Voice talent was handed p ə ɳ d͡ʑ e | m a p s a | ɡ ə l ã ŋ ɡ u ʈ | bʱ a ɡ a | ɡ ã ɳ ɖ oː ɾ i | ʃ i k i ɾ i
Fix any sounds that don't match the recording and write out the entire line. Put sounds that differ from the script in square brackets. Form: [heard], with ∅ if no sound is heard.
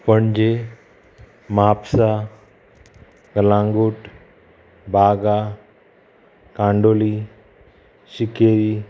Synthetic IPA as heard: p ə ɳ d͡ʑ e | m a p s a | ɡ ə l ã ŋ ɡ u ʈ | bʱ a ɡ a | [k] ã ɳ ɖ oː [l] i | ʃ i k [e] ɾ i